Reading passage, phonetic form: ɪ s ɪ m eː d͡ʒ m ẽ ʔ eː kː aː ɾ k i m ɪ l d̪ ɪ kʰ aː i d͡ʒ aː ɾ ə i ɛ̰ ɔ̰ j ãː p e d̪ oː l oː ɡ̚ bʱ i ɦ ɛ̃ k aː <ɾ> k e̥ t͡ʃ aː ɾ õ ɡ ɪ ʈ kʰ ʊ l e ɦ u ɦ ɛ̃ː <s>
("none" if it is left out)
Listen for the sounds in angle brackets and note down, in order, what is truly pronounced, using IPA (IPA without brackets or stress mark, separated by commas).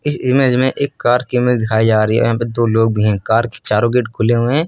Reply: ɾ, none